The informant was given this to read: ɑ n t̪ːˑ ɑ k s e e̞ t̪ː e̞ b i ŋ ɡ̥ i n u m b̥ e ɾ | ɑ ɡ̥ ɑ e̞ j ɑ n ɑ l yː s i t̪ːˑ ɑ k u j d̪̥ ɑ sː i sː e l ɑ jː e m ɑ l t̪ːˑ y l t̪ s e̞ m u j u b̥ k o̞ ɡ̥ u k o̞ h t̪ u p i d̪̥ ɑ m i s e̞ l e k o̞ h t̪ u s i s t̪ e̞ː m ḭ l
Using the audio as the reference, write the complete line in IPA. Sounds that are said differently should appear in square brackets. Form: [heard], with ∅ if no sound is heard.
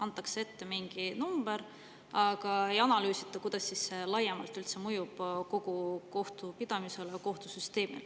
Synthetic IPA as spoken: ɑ n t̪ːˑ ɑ k s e e̞ t̪ː e̞ [m] i ŋ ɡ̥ i n u m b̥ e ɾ | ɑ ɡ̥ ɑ e̞ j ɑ n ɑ l yː s i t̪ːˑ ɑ k u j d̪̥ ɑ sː i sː e l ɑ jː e m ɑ l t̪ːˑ y l t̪ s e̞ m u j u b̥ k o̞ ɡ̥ u k o̞ h t̪ u p i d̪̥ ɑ m i s e̞ l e k o̞ h t̪ u s [y] s t̪ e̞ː m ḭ l

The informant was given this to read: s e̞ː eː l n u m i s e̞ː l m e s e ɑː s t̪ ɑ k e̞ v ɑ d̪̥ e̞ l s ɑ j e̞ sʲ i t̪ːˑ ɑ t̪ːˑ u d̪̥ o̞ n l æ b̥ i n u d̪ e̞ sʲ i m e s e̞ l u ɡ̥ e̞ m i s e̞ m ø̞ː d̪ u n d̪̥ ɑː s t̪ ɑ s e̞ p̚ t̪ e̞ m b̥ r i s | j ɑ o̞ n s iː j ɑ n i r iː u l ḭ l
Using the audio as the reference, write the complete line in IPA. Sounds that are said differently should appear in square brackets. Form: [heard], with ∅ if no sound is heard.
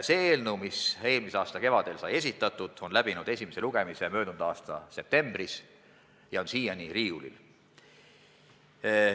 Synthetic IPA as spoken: s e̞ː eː l n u m i s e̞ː l m [i] s e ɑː s t̪ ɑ k e̞ v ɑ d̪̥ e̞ l s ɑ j e̞ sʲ i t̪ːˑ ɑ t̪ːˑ u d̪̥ o̞ n l æ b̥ i n u d̪ e̞ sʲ i m e s e̞ l u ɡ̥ e̞ m i s e̞ m ø̞ː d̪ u n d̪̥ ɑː s t̪ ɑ s e̞ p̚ t̪ e̞ m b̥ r i s | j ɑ o̞ n s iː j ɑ n i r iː u l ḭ l

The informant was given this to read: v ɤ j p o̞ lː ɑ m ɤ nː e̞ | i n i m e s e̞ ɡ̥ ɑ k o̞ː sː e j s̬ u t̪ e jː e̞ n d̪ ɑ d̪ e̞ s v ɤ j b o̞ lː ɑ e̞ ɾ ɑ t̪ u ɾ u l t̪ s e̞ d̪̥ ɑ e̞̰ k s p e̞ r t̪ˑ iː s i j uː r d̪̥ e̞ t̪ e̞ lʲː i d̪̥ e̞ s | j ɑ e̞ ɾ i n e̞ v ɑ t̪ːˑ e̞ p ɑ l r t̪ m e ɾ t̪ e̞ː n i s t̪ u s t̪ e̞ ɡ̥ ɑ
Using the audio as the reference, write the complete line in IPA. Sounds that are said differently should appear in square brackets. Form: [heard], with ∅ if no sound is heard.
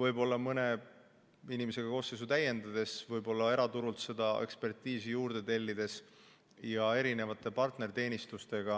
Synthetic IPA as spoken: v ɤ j [b] o̞ lː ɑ m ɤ [n] e̞ | i n i m e s e̞ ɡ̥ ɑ k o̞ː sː e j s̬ u t̪ [æ] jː e̞ n d̪ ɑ d̪ e̞ s v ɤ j b o̞ lː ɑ e̞ ɾ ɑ t̪ u ɾ u l t̪ s e̞ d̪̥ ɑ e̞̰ k s p e̞ r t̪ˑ iː s i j uː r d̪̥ e̞ t̪ e̞ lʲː i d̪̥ e̞ s | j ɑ e̞ ɾ i n e̞ v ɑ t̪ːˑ e̞ p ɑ [∅] r t̪ [n] e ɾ t̪ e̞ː n i s t̪ u s t̪ e̞ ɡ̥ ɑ

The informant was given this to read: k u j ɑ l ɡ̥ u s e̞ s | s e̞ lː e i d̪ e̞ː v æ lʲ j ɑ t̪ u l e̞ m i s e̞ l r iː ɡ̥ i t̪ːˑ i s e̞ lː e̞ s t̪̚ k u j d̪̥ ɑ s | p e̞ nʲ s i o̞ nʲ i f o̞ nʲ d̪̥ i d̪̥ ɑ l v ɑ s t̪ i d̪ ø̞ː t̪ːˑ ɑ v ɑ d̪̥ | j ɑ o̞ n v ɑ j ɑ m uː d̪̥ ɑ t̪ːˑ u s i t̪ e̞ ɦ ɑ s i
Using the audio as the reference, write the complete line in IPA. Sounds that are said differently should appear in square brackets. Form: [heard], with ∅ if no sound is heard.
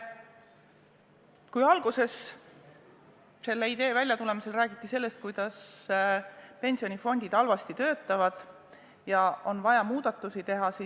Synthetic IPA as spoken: k u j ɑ l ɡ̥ u s e̞ s | s e̞ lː e i d̪ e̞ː v æ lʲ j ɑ t̪ u l e̞ m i s e̞ l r [æː] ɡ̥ i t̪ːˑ i s e̞ lː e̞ s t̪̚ k u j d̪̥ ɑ s | p e̞ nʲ s i o̞ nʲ i f o̞ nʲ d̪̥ i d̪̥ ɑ l v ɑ s t̪ i [t̪] ø̞ː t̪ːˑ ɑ v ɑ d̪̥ | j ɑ o̞ n v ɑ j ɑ m uː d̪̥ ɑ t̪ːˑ u s i t̪ e̞ ɦ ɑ s i

